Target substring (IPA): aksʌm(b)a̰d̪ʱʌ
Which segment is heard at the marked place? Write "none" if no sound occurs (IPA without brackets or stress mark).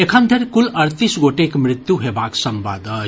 b